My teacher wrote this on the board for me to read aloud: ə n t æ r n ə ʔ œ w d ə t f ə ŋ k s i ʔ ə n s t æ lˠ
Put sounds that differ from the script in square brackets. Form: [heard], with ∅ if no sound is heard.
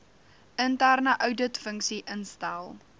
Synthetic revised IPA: ə n t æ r n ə ʔ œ w d ə t f ə ŋ k s i ʔ ə n s t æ lˠ